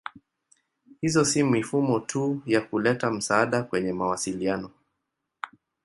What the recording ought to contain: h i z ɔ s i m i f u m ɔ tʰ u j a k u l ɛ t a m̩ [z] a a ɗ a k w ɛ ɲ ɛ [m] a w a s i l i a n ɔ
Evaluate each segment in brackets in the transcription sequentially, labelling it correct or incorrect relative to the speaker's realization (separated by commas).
incorrect, correct